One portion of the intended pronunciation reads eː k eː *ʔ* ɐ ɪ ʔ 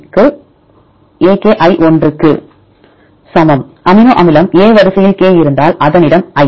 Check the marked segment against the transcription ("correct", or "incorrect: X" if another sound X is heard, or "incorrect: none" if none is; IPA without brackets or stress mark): correct